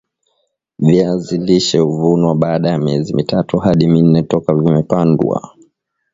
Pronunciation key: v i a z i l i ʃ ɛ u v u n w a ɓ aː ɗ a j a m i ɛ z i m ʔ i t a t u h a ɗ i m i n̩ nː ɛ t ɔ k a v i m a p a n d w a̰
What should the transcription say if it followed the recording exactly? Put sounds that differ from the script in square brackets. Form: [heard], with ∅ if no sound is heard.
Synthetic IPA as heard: v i a z i l i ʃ ɛ u v u n w a ɓ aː ɗ a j a m i ɛ z i m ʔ i t a t u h a ɗ i m i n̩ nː ɛ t ɔ k a v i m [ɛ] p a n d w a̰

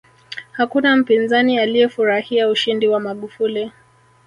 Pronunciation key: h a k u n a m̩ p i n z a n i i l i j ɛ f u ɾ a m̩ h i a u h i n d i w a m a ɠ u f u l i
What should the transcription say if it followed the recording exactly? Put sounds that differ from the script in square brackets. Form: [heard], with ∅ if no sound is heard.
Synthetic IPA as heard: h a k u n a m̩ p i n z a n i [a] l i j ɛ f u ɾ a [∅] h i a u [ʃ] i n d i w a m a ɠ u f u l i

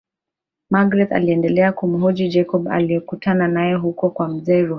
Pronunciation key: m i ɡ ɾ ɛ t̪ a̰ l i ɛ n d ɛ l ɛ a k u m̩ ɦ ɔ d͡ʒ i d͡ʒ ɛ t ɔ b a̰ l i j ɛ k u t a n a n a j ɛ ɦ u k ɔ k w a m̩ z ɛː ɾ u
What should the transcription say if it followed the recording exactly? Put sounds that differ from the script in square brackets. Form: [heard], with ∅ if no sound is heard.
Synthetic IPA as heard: m [a] ɡ ɾ ɛ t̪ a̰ l i ɛ n d ɛ l ɛ a k u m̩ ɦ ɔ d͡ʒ i d͡ʒ ɛ [k] ɔ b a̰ l i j ɛ k u t a n a n a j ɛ ɦ u k ɔ k w a m̩ z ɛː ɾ u

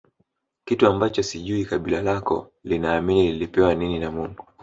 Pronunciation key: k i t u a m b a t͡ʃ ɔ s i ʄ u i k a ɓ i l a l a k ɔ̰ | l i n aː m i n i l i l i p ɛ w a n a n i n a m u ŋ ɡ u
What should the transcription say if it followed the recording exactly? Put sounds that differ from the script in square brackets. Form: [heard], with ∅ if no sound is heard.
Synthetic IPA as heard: k i t u a m b a t͡ʃ ɔ s i ʄ u i k a ɓ i l a l a k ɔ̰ | l i n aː m i n i l i l i p ɛ w a n [i] n i n a m u ŋ ɡ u

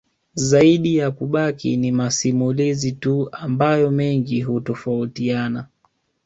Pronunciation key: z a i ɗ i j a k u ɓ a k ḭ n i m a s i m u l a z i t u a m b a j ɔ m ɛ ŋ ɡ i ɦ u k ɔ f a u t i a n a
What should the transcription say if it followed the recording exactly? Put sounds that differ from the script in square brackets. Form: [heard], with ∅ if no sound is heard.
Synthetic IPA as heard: z a i ɗ i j a k u ɓ a k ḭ n i m a s i m u l [i] z i t u a m b a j ɔ m ɛ ŋ ɡ i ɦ u [t] ɔ f a u t i a n a

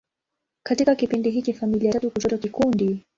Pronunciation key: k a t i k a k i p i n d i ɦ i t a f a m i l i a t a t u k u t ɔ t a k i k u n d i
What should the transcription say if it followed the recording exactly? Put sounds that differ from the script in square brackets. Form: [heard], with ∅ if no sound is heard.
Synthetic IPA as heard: k a t i k a k i p i n d i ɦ i [t͡ʃ] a f a m i l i a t a t u k u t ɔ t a k i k u n d i

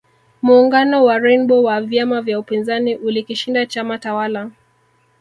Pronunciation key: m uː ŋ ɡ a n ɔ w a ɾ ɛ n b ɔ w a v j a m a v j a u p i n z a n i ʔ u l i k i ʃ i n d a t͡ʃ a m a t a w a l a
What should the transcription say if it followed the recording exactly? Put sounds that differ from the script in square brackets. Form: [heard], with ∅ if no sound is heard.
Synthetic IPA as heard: m uː ŋ ɡ a n ɔ w a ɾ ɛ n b ɔ w a v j a m a v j a u p i n z a n i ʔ u l i k i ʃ i n d a t͡ʃ a m a t a w a l a

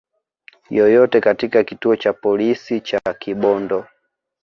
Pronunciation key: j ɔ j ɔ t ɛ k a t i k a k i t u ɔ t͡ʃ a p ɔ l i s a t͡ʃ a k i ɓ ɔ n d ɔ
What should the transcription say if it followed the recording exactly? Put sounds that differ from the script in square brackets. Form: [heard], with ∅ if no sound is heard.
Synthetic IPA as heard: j ɔ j ɔ t ɛ k a t i k a k i t u ɔ t͡ʃ a p ɔ l i s [i] t͡ʃ a k i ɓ ɔ n d ɔ

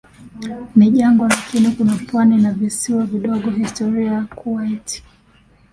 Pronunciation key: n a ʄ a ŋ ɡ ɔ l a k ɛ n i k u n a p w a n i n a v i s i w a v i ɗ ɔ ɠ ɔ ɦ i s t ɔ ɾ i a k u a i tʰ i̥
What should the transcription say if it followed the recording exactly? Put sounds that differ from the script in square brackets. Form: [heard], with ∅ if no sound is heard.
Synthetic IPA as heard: n [i] ʄ a ŋ ɡ ɔ l a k [i] n i k u n a p w a n i n a v i s i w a v i ɗ ɔ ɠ ɔ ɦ i s t ɔ ɾ i a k u a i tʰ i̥

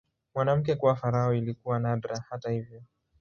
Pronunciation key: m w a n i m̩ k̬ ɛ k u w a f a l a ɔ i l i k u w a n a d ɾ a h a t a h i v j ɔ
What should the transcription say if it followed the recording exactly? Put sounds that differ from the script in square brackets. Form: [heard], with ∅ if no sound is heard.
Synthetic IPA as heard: m w a n [a] m̩ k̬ ɛ k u w a f a [ɾ] a ɔ i l i k u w a n a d ɾ a h a t a h i v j ɔ

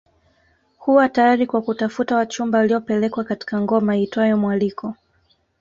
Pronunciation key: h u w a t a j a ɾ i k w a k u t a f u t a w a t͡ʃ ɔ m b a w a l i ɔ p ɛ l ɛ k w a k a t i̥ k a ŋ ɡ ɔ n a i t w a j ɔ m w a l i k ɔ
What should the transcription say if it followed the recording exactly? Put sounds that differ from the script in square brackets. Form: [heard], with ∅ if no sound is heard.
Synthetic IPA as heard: h u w a t a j a ɾ i k w a k u t a f u t a w a t͡ʃ [u] m b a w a l i ɔ p ɛ l ɛ k w a k a t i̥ k a ŋ ɡ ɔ [m] a i t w a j ɔ m w a l i k ɔ

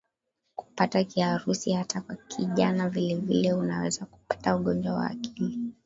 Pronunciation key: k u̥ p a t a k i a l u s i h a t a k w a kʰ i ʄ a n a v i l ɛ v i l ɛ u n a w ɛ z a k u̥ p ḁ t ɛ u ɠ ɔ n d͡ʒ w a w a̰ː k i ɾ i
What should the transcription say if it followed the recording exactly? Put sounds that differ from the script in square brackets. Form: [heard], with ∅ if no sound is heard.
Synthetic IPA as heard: k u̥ p a t a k i a [ɾ] u s i h a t a k w a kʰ i ʄ a n a v i l ɛ v i l ɛ u n a w ɛ z a k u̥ p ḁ t [a] u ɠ ɔ n d͡ʒ w a w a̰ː k i [l] i

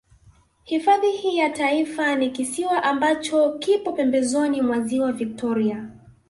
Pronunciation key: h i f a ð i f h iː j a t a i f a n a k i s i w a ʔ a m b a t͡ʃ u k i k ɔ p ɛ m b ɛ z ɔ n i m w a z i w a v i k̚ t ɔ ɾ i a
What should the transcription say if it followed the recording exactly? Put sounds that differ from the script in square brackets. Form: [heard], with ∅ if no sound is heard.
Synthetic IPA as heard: h i f a ð i [∅] h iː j a t a i f a n [i] k i s i w a ʔ a m b a t͡ʃ [ɔ] k i [p] ɔ p ɛ m b ɛ z ɔ n i m w a z i w a v i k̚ t ɔ ɾ i a

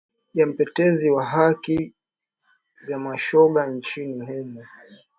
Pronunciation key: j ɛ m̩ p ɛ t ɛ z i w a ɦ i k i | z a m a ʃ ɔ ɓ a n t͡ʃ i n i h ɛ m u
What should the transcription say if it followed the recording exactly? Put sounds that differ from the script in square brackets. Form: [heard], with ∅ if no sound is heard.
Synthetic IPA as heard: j [a] m̩ p ɛ t ɛ z i w a ɦ [a] k i | z a m a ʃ ɔ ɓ a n t͡ʃ i n i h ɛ m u

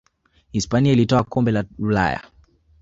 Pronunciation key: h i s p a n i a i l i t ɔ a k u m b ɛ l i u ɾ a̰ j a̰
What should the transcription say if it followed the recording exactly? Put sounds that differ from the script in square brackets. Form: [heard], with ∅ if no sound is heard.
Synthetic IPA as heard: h i s p a n i a i l i t ɔ a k [ɔ] m b ɛ l [a] u [l] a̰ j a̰

